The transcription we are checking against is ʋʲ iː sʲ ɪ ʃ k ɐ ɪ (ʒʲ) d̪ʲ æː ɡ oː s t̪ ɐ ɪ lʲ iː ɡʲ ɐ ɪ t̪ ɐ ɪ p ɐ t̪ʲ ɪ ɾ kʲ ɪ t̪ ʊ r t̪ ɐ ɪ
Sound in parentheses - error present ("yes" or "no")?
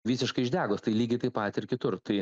no